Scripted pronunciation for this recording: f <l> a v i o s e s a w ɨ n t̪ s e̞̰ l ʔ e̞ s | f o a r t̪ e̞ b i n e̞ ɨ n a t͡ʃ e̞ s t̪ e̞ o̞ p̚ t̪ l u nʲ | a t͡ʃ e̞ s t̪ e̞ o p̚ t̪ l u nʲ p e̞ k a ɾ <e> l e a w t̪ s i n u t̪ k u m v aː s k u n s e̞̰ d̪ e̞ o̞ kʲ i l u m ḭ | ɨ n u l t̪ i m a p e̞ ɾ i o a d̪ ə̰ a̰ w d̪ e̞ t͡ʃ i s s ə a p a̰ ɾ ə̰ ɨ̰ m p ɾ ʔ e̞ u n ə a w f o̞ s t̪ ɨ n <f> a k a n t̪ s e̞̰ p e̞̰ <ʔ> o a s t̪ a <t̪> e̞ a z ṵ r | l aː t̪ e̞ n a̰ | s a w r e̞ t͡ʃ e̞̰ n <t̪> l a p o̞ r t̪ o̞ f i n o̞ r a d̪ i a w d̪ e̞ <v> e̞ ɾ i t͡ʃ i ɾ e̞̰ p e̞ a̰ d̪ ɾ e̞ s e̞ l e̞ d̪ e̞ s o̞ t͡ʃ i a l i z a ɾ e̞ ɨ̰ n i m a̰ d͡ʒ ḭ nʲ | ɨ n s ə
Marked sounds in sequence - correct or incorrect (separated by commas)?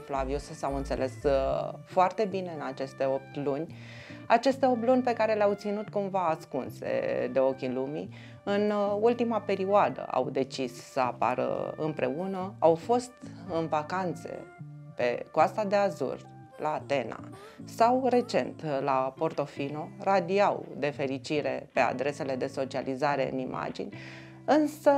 correct, correct, incorrect, incorrect, incorrect, correct, incorrect